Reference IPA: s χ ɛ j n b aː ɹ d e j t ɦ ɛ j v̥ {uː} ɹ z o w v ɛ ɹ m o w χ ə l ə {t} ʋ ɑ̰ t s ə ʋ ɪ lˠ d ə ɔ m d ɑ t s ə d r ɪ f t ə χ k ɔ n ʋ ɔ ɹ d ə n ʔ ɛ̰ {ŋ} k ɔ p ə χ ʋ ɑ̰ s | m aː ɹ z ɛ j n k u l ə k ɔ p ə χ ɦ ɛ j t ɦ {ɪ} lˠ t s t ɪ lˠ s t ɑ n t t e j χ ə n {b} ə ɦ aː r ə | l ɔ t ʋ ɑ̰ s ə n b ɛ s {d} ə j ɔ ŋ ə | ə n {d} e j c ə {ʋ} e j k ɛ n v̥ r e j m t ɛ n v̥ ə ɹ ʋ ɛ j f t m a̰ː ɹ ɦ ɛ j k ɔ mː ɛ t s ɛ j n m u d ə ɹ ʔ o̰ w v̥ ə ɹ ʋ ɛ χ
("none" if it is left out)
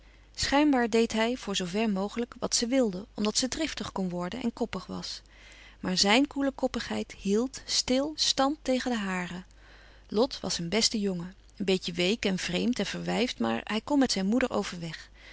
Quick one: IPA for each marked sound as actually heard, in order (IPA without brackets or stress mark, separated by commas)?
ʊː, k, n, i, d, t, b, ʋ